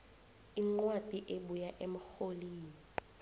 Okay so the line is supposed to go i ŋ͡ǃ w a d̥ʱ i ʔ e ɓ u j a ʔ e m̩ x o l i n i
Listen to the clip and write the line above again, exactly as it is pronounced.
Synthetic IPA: i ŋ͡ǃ w a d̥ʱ i ʔ e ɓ u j a ʔ e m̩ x o l iː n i